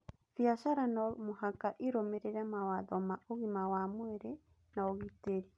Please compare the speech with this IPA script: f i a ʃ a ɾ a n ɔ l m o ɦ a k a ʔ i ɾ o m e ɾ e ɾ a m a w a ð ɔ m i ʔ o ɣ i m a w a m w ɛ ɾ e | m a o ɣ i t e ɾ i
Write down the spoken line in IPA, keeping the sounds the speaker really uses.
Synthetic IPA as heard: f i a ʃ a ɾ a n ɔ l m o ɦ a k a ʔ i ɾ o m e ɾ e ɾ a m a w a ð ɔ m a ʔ o ɣ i m a w a m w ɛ ɾ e | n a o ɣ i t e ɾ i